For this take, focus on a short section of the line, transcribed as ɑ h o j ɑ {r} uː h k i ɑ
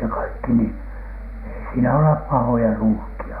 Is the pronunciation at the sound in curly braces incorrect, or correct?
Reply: correct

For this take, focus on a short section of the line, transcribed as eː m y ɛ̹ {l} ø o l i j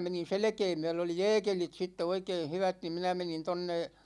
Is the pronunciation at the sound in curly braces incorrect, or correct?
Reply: correct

